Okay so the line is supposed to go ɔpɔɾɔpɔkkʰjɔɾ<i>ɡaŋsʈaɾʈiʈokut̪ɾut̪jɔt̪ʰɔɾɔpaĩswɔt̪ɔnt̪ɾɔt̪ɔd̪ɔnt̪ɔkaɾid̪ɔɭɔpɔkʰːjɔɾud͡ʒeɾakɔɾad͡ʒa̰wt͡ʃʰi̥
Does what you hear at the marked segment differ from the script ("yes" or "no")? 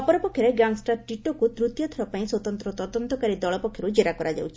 yes